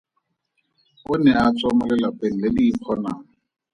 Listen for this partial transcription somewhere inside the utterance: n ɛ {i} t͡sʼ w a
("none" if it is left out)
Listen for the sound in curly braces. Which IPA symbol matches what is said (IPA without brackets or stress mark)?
a